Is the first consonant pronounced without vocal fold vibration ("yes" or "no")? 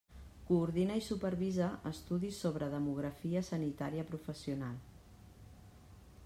yes